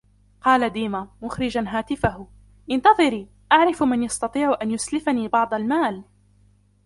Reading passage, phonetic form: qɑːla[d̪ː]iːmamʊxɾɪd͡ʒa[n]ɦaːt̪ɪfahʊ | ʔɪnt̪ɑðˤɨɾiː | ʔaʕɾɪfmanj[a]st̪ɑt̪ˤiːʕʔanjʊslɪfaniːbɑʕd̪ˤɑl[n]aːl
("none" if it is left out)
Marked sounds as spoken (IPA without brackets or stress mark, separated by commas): d̪, n, ɑ, m